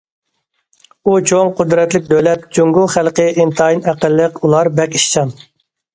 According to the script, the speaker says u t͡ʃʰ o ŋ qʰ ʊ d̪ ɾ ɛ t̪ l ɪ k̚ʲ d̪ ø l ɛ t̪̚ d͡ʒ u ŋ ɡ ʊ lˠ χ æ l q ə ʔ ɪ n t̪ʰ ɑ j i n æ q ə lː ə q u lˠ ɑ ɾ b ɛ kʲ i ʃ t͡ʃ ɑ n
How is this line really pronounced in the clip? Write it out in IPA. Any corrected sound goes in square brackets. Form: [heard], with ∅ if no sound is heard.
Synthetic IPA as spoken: u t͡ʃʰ o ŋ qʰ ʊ d̪ ɾ ɛ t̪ l ɪ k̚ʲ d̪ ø l ɛ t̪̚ d͡ʒ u ŋ ɡ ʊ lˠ χ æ l q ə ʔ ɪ n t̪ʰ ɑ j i n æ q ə lː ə q u lˠ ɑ ɾ b ɛ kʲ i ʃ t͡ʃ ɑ n